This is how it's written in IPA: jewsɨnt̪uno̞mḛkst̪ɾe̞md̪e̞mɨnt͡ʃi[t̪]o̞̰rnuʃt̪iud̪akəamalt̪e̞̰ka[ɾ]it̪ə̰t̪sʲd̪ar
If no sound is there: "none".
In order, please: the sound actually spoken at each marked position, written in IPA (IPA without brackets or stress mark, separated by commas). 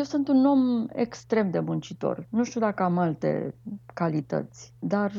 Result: t̪, l